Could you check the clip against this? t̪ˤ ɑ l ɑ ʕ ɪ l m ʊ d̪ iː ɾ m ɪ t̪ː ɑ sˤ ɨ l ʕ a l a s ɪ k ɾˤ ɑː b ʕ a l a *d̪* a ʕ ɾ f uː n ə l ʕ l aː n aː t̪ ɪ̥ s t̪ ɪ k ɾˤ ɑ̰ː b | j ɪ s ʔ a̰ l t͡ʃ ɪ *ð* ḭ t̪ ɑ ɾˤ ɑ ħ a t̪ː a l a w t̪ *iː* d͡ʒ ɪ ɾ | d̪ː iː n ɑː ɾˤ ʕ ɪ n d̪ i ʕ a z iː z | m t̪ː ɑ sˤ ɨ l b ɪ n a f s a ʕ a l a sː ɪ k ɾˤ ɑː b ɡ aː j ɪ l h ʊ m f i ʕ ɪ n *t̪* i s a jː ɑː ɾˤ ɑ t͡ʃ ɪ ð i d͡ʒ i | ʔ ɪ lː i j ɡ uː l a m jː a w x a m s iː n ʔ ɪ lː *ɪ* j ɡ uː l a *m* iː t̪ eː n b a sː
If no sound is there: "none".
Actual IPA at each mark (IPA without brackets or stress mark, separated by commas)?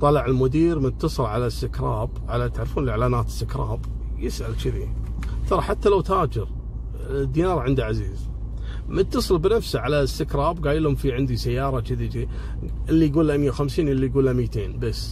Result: t̪, ð, aː, d̪, i, m